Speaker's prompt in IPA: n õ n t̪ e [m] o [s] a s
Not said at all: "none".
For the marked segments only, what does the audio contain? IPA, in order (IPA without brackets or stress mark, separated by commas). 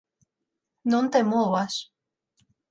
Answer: m, none